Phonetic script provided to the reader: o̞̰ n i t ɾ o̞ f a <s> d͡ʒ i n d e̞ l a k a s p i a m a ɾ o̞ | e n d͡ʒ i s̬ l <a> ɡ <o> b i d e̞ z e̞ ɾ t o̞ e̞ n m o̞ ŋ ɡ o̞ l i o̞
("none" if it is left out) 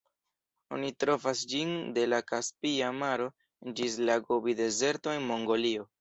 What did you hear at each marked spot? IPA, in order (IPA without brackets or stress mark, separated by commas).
s, a, o